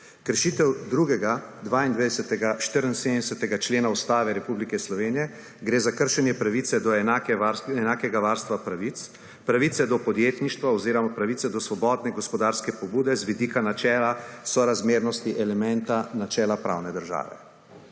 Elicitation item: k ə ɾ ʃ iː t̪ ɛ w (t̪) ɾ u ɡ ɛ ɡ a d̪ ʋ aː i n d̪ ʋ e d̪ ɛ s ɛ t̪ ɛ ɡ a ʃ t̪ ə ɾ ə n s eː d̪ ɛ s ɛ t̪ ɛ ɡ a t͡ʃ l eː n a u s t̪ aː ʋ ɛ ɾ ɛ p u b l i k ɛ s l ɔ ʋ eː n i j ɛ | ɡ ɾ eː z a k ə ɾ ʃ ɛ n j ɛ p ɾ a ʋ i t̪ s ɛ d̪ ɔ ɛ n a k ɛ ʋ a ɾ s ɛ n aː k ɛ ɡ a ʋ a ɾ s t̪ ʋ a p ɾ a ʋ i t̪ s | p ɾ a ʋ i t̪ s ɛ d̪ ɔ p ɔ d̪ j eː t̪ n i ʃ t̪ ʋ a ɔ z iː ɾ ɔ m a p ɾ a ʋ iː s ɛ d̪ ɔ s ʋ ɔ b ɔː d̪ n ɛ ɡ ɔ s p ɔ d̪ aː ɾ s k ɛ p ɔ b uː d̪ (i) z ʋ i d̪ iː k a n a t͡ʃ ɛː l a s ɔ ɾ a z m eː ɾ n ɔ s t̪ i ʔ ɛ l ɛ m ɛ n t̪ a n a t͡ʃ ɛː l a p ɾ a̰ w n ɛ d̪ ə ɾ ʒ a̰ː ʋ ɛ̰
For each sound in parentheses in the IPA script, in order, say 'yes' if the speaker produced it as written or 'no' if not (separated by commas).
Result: no, no